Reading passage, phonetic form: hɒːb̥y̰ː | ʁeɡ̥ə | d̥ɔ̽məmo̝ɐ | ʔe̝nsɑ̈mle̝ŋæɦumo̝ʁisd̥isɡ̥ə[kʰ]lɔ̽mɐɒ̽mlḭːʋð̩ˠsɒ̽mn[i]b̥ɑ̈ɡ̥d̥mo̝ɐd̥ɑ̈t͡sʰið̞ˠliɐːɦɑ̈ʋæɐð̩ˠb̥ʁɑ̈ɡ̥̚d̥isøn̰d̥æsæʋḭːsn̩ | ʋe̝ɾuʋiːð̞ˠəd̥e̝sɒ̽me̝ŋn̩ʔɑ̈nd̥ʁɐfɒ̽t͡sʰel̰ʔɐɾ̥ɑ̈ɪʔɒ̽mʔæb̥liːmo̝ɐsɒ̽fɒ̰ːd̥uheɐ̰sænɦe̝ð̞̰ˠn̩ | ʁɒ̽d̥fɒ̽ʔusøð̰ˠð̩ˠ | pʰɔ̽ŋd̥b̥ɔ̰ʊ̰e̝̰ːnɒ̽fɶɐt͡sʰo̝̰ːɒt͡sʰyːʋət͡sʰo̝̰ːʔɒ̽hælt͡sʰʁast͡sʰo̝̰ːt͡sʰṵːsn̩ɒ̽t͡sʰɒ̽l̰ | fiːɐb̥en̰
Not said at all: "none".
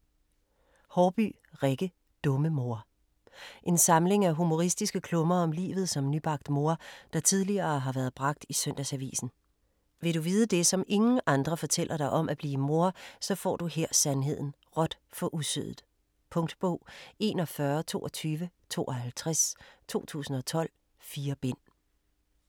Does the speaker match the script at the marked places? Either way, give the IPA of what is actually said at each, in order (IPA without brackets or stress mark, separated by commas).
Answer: kʰ, y